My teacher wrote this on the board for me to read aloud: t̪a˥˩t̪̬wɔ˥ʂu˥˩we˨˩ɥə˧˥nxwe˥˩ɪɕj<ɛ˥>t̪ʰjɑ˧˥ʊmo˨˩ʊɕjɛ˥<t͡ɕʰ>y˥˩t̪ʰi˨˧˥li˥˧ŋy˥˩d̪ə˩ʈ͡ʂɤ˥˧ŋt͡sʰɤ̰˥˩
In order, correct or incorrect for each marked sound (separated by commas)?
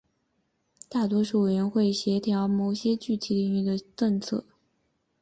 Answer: incorrect, incorrect